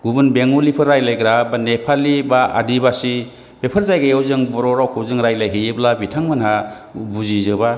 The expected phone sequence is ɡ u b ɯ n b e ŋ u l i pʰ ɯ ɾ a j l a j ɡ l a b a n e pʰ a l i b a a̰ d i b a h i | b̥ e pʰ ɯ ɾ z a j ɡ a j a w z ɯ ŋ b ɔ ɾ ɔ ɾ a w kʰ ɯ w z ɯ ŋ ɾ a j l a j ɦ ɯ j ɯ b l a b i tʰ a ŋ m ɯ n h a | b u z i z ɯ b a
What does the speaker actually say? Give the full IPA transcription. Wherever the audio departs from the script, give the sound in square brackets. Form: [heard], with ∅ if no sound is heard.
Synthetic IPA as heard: ɡ u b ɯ n b e ŋ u l i pʰ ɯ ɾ a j l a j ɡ [ɾ] a b a n e pʰ a l i b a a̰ d i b a [s] i | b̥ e pʰ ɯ ɾ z a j ɡ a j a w z ɯ ŋ b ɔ ɾ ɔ ɾ a w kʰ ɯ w z ɯ ŋ ɾ a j l a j ɦ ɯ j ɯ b l a b i tʰ a ŋ m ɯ n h a | b u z i z ɯ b a

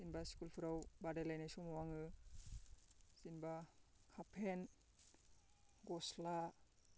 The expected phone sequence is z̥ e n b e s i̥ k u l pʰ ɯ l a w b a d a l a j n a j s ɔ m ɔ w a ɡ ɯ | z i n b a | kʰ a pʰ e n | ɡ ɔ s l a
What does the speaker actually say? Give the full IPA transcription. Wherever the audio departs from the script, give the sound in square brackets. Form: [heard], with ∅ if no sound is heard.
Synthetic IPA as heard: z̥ [i] n b [a] s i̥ k u l pʰ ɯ [ɾ] a w b a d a l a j n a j s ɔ m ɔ w a [ŋ] ɯ | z i n b a | kʰ a pʰ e n | ɡ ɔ s l a

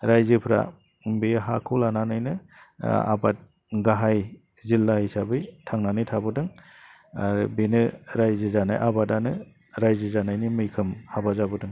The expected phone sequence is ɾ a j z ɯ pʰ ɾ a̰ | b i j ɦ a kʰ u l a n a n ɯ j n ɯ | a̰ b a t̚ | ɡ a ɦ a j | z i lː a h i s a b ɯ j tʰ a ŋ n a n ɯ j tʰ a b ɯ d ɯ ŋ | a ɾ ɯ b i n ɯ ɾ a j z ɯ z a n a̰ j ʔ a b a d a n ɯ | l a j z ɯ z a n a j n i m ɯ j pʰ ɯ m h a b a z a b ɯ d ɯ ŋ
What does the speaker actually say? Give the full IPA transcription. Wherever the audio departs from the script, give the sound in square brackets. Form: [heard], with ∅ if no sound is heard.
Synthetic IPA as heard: ɾ a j z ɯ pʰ ɾ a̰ | b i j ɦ a kʰ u l a n a n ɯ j n ɯ | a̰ b a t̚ | ɡ a ɦ a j | z i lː a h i s a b ɯ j tʰ a ŋ n a n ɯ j tʰ a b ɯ d ɯ ŋ | a ɾ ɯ b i n ɯ ɾ a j z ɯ z a n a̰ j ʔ a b a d a n ɯ | [ɾ] a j z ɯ z a n a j n i m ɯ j [kʰ] ɯ m h a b a z a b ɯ d ɯ ŋ

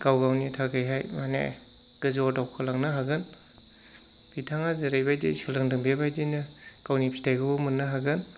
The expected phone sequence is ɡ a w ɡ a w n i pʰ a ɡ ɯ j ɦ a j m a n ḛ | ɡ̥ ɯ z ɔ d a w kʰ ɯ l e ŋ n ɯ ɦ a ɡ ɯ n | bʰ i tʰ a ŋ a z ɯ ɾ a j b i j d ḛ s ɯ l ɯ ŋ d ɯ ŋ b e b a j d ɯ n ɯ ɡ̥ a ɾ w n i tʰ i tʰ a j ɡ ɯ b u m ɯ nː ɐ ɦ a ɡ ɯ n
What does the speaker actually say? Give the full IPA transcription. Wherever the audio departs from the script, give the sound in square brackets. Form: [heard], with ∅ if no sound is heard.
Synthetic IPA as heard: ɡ a w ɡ a w n i [tʰ] a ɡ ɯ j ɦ a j m a n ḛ | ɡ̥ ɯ z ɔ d a w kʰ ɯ l [a] ŋ n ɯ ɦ a ɡ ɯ n | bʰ i tʰ a ŋ a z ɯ ɾ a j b [a] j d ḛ s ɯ l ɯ ŋ d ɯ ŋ b e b a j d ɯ n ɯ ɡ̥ a [∅] w n i [pʰ] i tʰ a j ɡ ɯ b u m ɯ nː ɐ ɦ a ɡ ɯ n

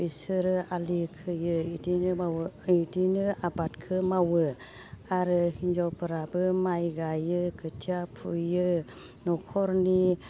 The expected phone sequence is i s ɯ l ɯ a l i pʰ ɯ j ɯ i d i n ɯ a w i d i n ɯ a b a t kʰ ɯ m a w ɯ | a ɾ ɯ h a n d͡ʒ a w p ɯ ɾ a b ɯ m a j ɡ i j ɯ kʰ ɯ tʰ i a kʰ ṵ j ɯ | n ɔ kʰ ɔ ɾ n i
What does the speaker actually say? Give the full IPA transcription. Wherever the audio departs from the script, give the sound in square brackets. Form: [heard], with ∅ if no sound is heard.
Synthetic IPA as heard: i s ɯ [ɾ] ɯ a l i [kʰ] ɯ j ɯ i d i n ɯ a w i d i n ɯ a b a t kʰ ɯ m a w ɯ | a ɾ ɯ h [i] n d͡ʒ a w p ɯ ɾ a b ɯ m a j ɡ [a] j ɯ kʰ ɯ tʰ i a [pʰ] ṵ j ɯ | n ɔ kʰ ɔ ɾ n i

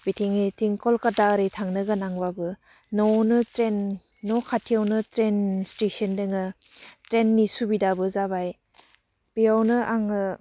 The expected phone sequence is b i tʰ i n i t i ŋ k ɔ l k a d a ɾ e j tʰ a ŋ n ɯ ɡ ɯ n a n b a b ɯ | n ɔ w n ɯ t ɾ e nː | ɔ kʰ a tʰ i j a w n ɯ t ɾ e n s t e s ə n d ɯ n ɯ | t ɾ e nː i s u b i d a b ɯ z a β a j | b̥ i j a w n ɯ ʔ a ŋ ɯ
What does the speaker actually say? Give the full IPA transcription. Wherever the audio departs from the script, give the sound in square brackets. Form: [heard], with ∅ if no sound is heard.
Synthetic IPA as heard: b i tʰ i [ŋ] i t i ŋ k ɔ l k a d a ɾ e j tʰ a ŋ n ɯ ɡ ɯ n a [ŋ] b a b ɯ | n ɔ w n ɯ t ɾ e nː | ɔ kʰ a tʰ i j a w n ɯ t ɾ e n s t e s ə n d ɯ [ŋ] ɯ | t ɾ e nː i s u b i d a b ɯ z a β a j | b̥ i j a w n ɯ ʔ a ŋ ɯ

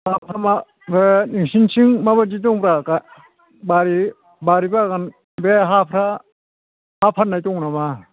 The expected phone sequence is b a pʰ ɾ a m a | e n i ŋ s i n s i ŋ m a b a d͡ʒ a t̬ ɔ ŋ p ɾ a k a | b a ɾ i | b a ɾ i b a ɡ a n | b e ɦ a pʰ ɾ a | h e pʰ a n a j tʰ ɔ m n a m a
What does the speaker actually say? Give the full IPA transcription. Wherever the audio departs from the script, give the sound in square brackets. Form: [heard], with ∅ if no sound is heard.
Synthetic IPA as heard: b a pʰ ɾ a m a | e n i ŋ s i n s i ŋ m a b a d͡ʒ [i] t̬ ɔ ŋ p ɾ a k a | b a ɾ i | b a ɾ i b a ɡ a n | b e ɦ a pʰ ɾ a | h [a] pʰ a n a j [t] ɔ [ŋ] n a m a

